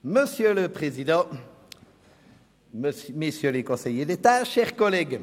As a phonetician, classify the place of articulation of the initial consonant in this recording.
labial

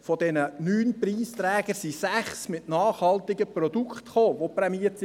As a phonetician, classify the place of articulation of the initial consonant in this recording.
labial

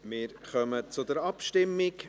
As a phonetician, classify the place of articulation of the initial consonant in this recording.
labial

